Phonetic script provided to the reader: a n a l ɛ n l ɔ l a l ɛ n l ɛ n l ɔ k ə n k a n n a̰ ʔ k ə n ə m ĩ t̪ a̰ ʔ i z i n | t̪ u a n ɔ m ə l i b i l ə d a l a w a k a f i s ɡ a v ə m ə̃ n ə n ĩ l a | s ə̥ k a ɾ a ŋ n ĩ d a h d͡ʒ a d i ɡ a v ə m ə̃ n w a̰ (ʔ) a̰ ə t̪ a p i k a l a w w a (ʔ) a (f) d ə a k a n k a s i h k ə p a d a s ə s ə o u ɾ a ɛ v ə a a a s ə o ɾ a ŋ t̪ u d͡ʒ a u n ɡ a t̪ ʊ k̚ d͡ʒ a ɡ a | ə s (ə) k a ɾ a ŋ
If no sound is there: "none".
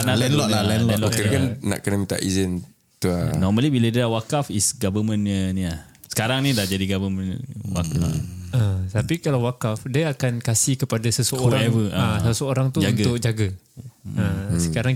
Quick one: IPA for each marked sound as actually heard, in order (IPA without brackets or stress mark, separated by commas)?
k, k, f, ə